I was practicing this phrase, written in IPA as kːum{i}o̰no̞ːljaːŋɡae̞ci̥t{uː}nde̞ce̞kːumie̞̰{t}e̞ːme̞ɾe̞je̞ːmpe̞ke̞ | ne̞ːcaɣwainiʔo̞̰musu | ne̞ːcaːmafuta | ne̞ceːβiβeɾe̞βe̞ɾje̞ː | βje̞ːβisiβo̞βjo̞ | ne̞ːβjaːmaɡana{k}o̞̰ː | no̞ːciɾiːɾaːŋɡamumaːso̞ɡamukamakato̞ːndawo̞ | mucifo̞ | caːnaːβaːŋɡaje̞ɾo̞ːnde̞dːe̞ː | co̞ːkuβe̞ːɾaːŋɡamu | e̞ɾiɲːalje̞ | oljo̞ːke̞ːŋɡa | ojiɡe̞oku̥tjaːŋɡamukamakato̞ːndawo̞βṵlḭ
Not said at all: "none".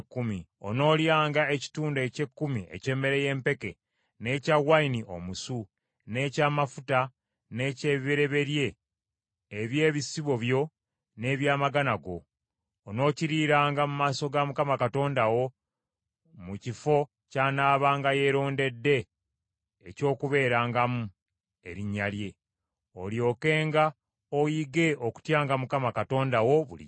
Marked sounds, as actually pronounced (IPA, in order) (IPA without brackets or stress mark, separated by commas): i, uː, c, ɡ